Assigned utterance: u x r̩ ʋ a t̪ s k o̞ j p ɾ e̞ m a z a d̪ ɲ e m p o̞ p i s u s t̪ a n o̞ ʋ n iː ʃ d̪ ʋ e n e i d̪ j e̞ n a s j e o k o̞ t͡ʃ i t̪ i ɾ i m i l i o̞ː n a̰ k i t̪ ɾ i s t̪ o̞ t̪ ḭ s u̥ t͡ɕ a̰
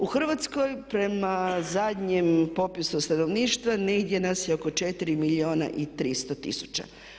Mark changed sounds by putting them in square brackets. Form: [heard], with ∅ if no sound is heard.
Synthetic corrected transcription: u x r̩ ʋ a t̪ s k o̞ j p ɾ e̞ m a z a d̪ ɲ e m p o̞ p i s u s t̪ a n o̞ ʋ n iː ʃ [t̪] ʋ [a] n e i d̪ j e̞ n a s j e o k o̞ t͡ʃ [e] t̪ i ɾ i m i l i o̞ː n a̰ [ʔ] i t̪ ɾ i s t̪ o̞ t̪ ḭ s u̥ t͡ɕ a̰